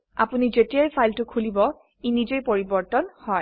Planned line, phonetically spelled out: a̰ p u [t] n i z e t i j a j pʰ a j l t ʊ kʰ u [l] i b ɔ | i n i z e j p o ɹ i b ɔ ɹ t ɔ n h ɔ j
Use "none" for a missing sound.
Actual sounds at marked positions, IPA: none, l

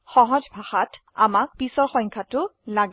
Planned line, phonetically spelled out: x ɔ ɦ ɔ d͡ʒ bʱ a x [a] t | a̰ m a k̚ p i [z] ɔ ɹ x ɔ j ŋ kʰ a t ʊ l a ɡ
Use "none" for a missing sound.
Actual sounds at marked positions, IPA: a, s

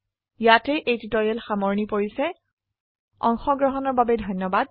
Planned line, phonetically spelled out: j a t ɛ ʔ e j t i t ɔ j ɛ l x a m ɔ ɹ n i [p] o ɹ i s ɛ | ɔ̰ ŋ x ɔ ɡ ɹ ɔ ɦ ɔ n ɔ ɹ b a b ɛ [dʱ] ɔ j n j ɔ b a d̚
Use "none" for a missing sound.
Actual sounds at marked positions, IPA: p, dʱ

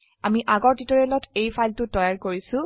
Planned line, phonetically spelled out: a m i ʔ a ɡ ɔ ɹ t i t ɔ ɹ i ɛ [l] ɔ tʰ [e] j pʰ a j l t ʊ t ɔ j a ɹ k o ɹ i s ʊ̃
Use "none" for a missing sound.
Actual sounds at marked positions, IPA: l, e

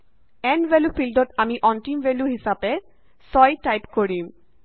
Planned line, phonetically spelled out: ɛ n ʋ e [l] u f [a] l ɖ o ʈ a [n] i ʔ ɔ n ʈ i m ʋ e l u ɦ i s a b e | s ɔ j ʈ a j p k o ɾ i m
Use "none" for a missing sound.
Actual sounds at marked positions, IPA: l, i, m

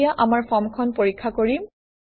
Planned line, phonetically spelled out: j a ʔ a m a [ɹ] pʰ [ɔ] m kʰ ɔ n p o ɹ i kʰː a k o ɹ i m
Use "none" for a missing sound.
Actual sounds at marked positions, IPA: ɹ, ɔ

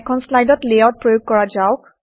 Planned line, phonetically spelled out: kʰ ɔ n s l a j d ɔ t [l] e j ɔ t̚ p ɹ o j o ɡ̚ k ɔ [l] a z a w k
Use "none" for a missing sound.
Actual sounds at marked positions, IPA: l, ɹ

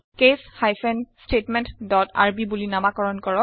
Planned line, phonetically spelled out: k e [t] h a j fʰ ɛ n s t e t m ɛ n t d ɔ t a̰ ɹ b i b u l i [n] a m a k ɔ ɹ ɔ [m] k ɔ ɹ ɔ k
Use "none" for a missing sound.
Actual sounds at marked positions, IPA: s, n, n

